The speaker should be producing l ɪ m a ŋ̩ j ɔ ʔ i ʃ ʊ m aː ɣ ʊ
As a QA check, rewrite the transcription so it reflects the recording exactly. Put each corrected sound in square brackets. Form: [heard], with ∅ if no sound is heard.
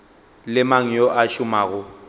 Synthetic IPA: l ɪ m a ŋ̩ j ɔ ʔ [a] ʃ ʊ m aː ɣ ʊ